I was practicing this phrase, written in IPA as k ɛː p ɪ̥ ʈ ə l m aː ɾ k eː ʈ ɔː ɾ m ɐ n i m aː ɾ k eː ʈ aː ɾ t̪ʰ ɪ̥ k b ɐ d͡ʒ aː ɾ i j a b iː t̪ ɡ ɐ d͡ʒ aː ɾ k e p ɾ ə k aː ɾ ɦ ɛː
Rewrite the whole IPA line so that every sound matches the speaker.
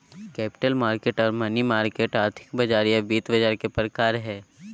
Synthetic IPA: k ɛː p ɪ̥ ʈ ə l m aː ɾ k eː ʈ ɔː ɾ m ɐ n i m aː ɾ k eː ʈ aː ɾ t̪ʰ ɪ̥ k b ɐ d͡ʒ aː ɾ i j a b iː t̪ b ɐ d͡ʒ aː ɾ k e p ɾ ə k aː ɾ ɦ ɛː